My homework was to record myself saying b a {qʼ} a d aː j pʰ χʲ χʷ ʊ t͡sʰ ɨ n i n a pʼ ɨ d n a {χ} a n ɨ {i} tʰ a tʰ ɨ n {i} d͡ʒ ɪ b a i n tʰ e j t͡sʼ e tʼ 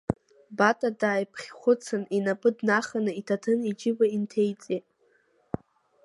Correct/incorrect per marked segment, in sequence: incorrect: tʼ, correct, correct, correct

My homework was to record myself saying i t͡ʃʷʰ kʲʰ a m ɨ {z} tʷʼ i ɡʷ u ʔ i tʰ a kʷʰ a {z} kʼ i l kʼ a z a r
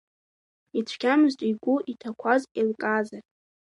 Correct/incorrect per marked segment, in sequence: correct, correct

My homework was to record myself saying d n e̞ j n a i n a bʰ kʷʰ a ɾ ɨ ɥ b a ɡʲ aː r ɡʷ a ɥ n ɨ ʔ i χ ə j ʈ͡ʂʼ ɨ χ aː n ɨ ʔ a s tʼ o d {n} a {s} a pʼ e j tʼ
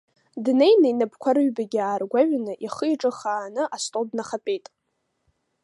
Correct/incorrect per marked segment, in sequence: correct, incorrect: χ

